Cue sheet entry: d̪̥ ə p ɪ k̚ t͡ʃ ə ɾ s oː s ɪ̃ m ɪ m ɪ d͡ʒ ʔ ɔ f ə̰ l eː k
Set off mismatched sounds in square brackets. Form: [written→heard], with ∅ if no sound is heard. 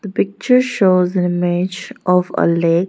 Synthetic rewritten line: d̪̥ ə p ɪ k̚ t͡ʃ ə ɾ [s→ʃ] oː [s→z] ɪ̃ [m→n] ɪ m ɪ d͡ʒ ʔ ɔ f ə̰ l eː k